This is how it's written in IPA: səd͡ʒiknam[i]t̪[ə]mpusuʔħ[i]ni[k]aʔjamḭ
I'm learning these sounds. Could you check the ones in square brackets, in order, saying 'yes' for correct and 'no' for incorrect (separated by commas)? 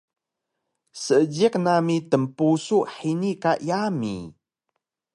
yes, yes, yes, yes